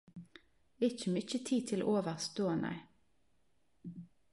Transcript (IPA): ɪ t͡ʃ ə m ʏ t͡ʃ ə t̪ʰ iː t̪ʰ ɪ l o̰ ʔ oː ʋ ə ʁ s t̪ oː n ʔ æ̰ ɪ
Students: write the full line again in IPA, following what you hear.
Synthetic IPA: ɪ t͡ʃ ə m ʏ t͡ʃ ə t̪ʰ iː t̪ʰ ɪ l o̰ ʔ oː ʋ ə ʁ s t̪ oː n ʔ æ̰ ɪ